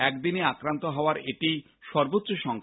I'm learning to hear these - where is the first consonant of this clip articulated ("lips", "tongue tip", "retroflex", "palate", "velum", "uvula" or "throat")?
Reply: velum